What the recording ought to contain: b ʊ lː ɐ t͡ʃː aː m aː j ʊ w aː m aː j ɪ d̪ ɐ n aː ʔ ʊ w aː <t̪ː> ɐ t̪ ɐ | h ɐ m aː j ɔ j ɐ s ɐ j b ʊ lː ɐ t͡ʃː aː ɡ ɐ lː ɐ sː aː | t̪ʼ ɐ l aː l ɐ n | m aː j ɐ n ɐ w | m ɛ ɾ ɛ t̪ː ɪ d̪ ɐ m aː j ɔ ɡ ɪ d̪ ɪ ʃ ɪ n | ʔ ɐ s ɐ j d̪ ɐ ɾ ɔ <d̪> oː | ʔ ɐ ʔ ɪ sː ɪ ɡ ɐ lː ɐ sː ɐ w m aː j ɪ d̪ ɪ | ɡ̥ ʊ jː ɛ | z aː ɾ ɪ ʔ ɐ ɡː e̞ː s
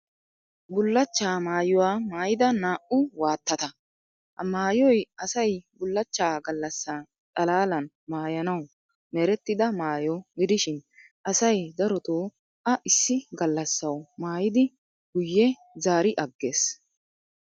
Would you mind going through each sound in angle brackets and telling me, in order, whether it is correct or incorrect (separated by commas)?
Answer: correct, incorrect